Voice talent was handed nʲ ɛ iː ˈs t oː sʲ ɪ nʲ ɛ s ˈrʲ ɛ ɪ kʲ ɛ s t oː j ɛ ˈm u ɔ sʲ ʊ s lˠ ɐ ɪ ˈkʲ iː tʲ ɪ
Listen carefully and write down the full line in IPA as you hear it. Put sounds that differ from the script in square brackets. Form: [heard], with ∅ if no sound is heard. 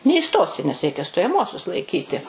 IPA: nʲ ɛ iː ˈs t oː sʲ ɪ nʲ ɛ s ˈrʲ ɛ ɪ kʲ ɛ s t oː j ɛ ˈm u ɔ sʲ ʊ s lˠ ɐ ɪ ˈkʲ iː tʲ ɪ